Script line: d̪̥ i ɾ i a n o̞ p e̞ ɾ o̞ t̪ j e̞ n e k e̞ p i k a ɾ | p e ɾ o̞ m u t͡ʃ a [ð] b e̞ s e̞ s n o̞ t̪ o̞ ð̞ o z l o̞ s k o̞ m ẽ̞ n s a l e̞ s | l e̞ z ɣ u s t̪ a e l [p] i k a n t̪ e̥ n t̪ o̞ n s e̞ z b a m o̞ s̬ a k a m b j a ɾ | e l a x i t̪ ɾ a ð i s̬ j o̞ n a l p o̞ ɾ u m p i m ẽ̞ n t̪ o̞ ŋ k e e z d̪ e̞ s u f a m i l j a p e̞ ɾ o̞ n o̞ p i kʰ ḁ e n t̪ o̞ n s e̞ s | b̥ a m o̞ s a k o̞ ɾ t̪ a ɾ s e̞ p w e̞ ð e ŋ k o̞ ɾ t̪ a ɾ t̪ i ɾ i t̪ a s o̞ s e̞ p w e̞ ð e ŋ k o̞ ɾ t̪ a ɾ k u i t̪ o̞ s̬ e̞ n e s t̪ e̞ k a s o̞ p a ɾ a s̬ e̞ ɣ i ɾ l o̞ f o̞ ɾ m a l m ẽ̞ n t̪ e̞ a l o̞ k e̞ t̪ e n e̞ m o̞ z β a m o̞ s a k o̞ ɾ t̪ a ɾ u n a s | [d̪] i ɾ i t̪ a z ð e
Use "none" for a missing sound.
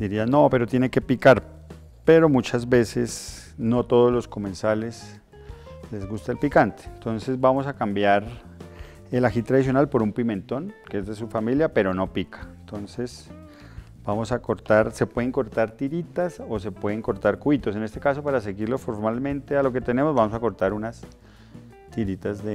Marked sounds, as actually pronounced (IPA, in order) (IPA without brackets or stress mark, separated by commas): z, p, t̪